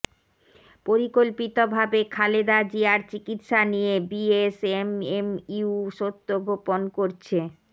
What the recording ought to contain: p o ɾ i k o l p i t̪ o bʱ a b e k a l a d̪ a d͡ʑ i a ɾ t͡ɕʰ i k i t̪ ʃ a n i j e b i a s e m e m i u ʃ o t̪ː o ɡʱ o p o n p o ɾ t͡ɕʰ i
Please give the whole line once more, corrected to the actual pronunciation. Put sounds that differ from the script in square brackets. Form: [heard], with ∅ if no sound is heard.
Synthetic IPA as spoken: p o ɾ i k o l p i t̪ o bʱ a b e [kʰ] a l [e] d̪ a d͡ʑ i a ɾ [t͡ɕ] i k i t̪ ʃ a n i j e b i [e] s e m e m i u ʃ o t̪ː o ɡʱ o p o n [k] o ɾ t͡ɕʰ [e]